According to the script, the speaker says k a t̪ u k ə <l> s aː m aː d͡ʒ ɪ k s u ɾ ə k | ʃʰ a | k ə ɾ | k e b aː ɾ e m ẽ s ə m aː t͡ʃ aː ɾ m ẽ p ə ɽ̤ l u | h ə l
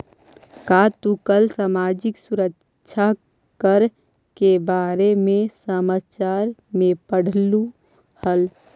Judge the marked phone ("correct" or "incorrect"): correct